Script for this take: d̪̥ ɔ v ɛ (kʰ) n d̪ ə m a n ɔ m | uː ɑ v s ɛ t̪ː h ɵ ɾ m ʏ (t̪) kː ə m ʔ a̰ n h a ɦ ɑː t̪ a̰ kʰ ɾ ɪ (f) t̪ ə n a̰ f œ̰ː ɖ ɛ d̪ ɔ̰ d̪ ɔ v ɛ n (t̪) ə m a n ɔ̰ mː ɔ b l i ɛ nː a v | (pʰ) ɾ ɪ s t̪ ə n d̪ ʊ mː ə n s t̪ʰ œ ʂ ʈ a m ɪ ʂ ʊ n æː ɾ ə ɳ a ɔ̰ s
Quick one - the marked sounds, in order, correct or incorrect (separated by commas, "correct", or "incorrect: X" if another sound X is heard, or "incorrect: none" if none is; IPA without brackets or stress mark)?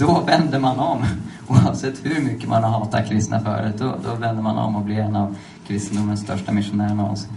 incorrect: none, incorrect: none, incorrect: s, incorrect: d̪, incorrect: kʰ